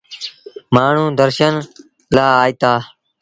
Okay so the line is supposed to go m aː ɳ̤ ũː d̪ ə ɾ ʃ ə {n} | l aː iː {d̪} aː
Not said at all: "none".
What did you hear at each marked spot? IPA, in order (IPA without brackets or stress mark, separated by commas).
n, t̪